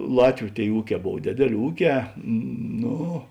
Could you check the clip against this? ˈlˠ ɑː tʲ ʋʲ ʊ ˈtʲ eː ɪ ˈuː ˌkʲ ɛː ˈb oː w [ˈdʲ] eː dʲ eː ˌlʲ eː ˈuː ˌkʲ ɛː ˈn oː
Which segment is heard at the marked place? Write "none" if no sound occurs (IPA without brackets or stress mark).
dʲ